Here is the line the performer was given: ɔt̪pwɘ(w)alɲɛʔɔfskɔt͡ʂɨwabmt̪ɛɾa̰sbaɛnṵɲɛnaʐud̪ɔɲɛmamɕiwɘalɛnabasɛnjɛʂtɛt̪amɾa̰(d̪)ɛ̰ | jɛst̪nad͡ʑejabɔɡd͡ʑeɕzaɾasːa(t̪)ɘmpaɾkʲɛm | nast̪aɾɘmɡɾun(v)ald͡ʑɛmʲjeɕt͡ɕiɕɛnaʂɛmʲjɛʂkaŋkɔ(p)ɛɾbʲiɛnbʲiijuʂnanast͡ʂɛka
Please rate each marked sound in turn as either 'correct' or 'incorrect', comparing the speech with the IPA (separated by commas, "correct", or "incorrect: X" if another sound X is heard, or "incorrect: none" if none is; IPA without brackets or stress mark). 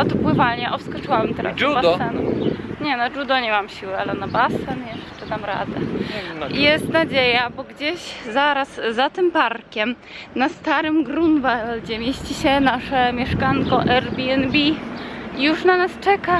incorrect: v, correct, correct, correct, incorrect: ʔ